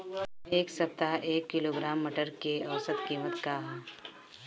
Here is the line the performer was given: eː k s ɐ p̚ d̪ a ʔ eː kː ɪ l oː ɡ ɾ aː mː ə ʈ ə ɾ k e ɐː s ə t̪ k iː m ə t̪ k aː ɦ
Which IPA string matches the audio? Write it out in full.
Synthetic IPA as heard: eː k s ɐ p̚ t̪ a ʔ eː kː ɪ l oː ɡ ɾ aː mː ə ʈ ə ɾ k e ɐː s ə t̪ k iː m ə t̪ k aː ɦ